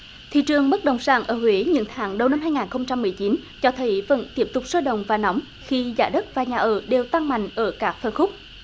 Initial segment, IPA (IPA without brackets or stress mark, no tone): t̪ʰ